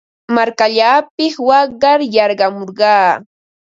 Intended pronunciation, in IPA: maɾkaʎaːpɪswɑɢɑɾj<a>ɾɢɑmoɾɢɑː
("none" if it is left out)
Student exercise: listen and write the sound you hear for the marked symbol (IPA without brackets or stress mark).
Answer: ɑ